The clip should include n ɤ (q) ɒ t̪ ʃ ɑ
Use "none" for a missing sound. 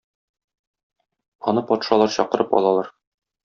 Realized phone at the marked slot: p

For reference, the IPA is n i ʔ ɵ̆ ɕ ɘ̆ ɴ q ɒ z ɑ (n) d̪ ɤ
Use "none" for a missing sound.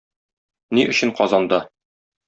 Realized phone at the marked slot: n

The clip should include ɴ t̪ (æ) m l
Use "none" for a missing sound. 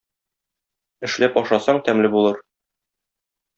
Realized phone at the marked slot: æ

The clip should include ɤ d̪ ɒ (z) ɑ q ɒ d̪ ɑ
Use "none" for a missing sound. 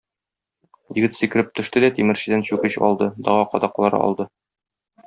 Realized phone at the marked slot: ʁ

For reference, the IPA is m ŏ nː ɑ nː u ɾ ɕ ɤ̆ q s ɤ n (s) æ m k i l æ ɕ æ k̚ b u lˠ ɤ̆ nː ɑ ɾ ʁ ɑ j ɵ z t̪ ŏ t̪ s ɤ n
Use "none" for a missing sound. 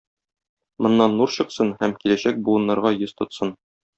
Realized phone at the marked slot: h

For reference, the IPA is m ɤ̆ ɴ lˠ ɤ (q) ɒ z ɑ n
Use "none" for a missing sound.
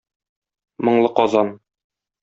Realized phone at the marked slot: q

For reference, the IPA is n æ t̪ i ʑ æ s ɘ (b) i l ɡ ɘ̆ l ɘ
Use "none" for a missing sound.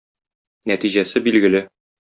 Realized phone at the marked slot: b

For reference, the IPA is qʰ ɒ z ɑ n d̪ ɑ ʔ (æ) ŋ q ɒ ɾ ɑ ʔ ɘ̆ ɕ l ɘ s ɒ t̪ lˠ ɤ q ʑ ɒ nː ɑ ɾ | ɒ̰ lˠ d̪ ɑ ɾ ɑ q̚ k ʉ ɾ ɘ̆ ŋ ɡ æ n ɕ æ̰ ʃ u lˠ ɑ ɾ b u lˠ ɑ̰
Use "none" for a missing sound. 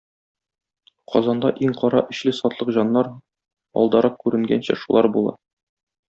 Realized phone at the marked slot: i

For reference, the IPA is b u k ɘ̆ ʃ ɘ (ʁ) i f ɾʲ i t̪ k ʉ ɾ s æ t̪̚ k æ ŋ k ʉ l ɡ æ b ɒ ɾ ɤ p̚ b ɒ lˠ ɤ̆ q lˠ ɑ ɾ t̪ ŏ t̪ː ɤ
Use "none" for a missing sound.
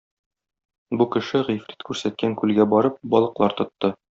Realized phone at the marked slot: ʁ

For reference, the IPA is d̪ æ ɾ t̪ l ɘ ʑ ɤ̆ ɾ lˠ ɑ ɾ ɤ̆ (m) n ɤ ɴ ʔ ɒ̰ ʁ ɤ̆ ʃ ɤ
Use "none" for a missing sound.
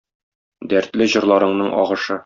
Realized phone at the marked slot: ɴ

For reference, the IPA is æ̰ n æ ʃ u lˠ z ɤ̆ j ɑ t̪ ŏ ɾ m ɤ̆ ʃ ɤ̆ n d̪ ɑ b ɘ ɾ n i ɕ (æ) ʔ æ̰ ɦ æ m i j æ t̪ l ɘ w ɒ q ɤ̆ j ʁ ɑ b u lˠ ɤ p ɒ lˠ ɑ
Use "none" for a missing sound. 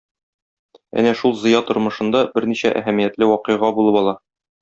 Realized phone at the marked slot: æ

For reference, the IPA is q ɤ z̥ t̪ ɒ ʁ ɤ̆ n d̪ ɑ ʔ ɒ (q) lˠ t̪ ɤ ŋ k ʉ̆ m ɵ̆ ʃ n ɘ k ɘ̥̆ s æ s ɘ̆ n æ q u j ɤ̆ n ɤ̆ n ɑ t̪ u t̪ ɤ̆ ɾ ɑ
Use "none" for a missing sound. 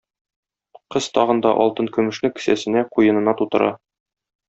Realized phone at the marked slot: none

